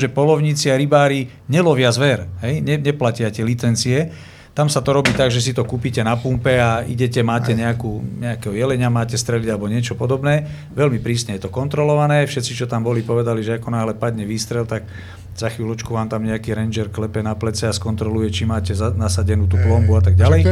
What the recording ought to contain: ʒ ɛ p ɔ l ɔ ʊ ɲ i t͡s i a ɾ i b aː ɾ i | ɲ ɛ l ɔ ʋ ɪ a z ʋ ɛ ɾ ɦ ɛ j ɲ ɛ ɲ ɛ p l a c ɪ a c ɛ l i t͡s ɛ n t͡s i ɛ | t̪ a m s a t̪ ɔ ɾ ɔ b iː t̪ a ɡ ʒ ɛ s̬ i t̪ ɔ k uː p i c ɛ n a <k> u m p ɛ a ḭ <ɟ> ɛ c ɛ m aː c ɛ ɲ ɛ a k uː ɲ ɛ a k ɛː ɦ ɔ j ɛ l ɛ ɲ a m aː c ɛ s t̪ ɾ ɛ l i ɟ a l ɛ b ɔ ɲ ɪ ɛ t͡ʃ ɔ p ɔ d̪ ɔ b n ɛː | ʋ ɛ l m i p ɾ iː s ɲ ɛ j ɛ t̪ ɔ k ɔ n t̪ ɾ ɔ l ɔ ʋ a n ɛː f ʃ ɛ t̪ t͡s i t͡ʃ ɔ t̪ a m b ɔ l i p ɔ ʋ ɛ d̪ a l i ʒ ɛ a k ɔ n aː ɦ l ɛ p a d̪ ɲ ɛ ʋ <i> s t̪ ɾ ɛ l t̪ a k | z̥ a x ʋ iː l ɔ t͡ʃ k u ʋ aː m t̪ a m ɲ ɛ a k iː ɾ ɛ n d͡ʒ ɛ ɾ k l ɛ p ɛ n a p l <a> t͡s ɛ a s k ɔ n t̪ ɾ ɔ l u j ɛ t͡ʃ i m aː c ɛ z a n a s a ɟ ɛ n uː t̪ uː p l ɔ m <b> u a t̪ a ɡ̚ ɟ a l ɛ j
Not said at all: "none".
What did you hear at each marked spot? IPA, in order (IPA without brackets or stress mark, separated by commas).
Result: p, ɟ, iː, ɛ, b